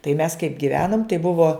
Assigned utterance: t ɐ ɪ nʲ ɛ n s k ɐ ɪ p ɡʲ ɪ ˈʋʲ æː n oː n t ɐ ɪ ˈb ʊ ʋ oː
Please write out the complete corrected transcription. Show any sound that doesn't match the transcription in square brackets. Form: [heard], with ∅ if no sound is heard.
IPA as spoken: t ɐ ɪ [mʲ] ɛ [∅] s k ɐ ɪ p ɡʲ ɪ ˈʋʲ æː n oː [m] t ɐ ɪ ˈb ʊ ʋ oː